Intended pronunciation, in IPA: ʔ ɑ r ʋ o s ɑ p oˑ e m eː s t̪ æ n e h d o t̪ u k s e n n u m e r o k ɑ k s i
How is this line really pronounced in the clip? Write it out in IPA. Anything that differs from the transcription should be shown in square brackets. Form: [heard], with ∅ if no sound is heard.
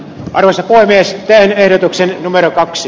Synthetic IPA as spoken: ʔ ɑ r ʋ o s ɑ p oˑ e m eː s t̪ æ n e h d o t̪ u k s e n n u m e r o k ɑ k s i